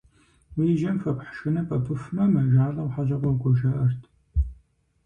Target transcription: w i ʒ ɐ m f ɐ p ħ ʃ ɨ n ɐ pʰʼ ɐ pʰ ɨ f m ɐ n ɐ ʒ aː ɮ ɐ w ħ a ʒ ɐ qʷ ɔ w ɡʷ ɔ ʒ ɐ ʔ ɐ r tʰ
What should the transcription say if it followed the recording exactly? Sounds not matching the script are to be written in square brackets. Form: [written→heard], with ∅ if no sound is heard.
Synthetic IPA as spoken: w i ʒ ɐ m f ɐ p ħ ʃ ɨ n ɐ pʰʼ ɐ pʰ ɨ f m ɐ [n→m] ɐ ʒ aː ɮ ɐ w ħ a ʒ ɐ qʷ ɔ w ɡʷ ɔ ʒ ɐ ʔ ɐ r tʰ